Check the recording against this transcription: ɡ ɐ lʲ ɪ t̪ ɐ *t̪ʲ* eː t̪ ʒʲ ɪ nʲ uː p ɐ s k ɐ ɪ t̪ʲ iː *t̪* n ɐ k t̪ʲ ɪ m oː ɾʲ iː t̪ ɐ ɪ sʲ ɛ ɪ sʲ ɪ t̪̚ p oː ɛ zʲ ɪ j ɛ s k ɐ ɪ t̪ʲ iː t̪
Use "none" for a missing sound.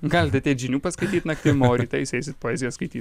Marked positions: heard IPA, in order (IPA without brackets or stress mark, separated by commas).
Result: t̪ʲ, t̪